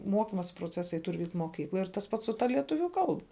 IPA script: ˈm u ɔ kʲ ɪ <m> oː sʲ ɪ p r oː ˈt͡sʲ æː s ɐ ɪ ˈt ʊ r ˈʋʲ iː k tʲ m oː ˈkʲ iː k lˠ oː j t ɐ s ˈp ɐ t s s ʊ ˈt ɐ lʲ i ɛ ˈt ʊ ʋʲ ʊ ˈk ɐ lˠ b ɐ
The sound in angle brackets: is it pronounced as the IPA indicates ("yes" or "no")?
yes